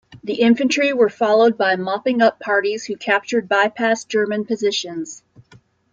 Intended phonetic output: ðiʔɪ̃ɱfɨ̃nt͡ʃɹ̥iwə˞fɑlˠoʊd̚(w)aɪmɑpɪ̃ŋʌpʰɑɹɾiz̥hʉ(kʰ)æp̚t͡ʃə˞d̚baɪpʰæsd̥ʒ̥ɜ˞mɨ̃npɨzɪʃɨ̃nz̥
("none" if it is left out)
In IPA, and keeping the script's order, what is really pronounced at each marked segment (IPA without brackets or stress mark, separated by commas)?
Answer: b, kʰ